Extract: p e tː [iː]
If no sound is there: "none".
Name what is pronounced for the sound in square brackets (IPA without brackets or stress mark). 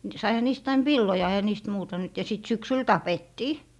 iː